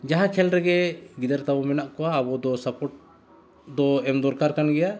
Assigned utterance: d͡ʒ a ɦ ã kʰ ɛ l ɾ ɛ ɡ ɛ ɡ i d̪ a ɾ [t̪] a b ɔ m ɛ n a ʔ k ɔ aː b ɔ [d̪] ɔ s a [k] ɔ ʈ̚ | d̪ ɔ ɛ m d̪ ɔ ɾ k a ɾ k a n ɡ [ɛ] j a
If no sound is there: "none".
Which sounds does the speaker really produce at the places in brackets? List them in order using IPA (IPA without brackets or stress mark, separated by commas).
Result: t̪, d̪, p, ɛ